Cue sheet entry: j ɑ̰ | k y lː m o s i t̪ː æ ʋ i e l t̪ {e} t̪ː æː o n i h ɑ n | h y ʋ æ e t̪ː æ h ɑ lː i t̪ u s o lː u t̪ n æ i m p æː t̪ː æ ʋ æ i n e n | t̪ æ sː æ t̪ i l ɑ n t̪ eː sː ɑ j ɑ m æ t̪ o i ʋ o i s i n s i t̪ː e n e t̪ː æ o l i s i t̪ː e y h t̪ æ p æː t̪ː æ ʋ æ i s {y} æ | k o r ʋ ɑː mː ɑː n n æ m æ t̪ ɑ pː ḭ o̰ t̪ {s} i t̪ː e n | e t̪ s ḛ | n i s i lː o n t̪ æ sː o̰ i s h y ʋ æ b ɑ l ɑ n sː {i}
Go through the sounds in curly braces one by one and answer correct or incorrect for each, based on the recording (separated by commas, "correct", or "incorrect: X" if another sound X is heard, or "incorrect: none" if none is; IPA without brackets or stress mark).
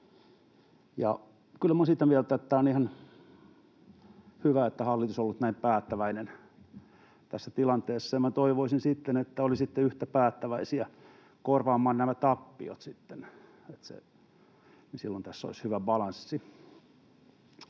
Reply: incorrect: æ, incorrect: i, correct, correct